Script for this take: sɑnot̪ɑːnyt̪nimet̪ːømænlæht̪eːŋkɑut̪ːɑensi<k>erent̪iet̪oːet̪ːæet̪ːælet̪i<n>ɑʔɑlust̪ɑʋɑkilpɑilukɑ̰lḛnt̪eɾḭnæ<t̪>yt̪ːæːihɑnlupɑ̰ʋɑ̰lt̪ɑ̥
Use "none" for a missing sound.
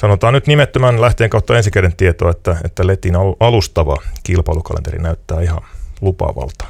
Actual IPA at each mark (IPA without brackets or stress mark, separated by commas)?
k, n, none